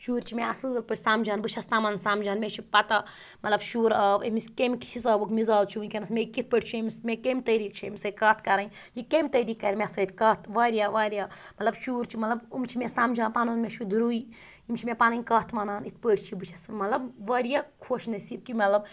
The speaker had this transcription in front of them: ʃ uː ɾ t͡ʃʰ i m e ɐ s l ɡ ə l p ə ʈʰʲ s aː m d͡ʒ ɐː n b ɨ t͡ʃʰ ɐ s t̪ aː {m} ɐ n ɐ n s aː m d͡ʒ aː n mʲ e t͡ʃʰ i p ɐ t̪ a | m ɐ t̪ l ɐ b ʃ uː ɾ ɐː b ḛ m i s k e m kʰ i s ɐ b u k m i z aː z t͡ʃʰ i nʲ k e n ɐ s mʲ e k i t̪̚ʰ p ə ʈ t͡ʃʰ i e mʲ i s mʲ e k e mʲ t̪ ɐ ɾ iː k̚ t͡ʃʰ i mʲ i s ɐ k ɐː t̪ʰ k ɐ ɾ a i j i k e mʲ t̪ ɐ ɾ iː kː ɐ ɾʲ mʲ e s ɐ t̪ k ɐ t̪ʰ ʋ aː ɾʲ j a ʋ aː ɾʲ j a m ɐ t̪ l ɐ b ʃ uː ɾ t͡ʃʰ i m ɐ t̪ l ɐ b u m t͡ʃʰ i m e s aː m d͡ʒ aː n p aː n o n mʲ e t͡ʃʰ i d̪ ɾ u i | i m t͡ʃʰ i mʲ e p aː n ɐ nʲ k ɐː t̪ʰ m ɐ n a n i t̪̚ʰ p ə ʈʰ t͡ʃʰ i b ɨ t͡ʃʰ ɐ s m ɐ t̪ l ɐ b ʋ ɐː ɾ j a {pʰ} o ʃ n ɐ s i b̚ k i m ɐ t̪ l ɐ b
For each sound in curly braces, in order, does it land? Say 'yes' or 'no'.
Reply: yes, no

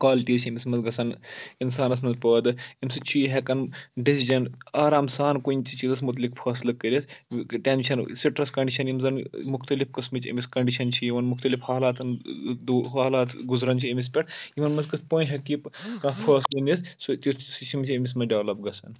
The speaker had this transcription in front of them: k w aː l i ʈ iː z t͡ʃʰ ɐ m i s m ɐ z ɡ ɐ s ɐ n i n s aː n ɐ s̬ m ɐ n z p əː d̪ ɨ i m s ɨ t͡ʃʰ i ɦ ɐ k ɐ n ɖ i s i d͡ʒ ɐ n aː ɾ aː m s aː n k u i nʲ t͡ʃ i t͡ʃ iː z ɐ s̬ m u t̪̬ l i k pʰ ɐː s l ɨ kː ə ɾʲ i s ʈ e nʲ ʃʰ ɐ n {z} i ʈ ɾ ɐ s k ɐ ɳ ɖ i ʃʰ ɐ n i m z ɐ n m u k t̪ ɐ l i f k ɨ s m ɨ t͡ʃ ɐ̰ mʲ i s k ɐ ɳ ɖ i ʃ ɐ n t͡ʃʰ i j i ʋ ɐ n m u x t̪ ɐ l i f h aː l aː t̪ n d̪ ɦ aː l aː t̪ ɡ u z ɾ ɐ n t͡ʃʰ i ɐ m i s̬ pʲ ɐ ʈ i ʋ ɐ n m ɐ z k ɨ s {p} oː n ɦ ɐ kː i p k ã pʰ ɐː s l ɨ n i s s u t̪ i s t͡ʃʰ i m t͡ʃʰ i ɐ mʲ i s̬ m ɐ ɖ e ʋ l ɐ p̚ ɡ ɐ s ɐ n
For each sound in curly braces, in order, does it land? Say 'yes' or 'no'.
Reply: no, yes

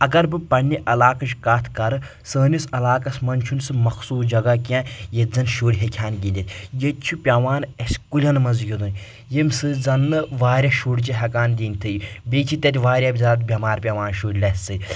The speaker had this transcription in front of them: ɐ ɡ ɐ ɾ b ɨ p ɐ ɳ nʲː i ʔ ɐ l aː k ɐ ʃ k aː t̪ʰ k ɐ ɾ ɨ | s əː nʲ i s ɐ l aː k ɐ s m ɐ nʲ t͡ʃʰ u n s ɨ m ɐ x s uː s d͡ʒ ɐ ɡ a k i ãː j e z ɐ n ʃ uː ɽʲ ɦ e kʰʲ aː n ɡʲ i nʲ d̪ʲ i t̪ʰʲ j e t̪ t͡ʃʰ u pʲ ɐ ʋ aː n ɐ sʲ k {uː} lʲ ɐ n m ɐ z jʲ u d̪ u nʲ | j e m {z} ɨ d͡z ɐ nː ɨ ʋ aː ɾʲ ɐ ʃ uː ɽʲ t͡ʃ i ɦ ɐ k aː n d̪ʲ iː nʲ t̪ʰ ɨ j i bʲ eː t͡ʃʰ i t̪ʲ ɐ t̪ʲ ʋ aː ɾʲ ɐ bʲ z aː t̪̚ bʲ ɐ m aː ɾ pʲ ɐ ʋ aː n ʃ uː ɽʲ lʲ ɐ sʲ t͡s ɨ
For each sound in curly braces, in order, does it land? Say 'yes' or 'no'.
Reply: no, no

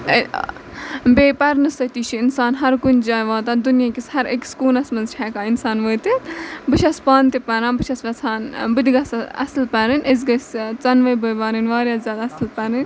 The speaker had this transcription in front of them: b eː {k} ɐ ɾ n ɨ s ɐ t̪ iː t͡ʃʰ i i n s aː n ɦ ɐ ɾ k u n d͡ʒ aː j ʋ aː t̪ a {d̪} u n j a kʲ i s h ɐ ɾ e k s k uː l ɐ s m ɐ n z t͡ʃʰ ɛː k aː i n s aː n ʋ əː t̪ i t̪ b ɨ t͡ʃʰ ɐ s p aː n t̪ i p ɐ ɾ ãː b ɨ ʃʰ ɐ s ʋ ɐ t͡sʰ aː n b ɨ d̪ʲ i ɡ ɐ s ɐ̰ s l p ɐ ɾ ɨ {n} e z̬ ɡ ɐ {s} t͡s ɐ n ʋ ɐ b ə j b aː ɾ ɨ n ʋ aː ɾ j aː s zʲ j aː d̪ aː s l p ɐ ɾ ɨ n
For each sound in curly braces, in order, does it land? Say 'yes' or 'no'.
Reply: no, yes, yes, yes

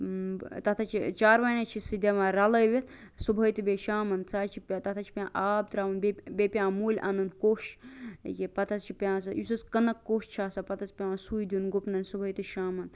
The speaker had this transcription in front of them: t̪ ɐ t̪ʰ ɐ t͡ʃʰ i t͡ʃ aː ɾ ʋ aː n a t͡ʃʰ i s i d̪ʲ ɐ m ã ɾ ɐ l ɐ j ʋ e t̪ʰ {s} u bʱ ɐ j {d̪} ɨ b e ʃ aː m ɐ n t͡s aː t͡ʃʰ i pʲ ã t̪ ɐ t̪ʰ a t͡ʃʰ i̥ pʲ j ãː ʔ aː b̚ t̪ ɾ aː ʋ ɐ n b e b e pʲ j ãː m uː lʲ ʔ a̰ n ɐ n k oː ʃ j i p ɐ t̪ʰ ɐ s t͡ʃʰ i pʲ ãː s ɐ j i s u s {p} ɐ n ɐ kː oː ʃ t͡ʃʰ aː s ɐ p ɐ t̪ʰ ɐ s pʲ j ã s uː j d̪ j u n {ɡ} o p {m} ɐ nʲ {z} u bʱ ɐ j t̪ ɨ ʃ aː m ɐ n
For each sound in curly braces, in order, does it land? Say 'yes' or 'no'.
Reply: yes, no, no, yes, no, no

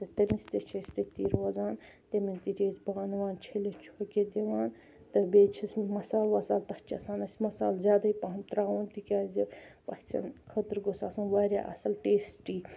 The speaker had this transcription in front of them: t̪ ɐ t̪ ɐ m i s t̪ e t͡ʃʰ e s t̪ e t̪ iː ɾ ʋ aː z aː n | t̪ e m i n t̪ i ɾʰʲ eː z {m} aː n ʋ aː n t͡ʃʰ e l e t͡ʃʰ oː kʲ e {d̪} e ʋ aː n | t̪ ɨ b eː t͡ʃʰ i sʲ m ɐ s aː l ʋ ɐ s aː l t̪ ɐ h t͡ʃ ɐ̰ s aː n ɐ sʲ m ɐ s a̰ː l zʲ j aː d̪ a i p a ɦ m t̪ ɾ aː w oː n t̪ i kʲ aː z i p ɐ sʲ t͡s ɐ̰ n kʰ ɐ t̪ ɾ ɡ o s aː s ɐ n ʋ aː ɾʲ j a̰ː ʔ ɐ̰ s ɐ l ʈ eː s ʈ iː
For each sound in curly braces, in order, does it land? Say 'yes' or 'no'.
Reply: no, yes

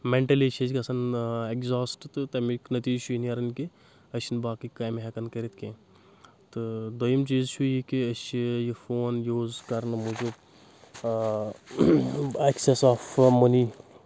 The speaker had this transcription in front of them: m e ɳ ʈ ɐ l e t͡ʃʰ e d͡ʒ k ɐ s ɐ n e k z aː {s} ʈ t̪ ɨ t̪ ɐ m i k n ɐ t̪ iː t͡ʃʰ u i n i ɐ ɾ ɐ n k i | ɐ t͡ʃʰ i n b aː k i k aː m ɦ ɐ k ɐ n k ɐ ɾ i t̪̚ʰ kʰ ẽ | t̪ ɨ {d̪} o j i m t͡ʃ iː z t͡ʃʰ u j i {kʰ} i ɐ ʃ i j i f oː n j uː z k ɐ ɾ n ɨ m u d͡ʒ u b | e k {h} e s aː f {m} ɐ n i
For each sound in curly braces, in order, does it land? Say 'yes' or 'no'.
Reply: yes, yes, no, no, yes

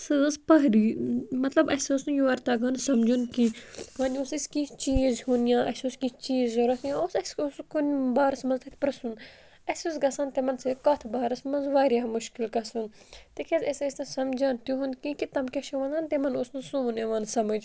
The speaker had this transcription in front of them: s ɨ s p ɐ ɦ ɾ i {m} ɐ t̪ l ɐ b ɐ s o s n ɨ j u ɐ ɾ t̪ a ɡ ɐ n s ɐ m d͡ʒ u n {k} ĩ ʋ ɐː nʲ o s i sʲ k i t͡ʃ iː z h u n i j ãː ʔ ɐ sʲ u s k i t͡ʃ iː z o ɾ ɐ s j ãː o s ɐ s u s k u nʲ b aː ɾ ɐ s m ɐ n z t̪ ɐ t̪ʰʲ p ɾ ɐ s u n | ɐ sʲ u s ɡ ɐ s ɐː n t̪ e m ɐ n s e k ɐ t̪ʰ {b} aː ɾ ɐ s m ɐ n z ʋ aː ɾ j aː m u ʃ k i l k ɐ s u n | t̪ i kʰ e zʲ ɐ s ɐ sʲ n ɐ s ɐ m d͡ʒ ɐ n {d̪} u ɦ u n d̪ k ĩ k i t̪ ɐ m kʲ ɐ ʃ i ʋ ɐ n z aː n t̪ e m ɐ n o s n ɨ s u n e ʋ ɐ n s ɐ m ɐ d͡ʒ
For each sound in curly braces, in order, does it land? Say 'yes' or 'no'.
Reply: yes, yes, yes, no

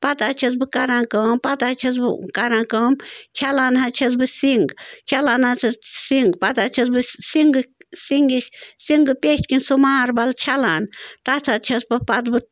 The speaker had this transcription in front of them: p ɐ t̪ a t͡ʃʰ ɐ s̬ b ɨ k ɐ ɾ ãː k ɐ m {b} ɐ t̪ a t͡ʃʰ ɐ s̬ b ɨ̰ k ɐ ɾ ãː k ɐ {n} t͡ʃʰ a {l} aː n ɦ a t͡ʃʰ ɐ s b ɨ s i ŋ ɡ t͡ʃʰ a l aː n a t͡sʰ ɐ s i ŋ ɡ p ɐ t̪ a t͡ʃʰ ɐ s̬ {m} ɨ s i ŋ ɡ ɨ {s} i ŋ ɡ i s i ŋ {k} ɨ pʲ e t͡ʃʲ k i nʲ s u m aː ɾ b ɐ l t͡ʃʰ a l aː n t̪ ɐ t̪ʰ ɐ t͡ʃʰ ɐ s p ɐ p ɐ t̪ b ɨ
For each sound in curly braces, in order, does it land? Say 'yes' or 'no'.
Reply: no, no, yes, no, yes, no

